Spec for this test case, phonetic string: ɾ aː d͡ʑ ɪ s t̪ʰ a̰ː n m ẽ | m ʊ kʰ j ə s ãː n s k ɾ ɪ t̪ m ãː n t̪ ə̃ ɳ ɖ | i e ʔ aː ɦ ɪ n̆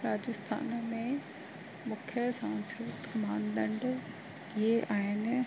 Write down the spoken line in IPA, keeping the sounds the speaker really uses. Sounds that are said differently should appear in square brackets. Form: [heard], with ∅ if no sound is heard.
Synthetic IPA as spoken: ɾ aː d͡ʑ ɪ s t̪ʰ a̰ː n m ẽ | m ʊ kʰ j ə s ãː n s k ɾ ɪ t̪ m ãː n [d̪] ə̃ ɳ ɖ | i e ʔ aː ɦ ɪ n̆